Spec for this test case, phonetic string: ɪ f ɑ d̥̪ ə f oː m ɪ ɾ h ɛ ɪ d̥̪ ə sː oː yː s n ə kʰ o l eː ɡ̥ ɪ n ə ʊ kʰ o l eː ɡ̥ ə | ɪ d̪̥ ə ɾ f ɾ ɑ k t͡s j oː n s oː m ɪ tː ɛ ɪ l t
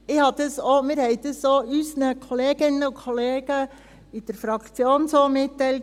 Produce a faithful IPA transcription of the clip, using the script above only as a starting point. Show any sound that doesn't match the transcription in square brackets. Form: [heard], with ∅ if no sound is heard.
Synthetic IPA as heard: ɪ [h] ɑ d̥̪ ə [s] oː m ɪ ɾ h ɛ ɪ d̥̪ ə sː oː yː s n ə kʰ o l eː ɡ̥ ɪ n ə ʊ kʰ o l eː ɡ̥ ə | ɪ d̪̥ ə ɾ f ɾ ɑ k t͡s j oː n s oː m ɪ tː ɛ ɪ l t